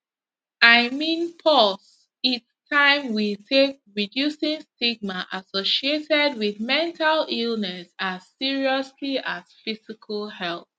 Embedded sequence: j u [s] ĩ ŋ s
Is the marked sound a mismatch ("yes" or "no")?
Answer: no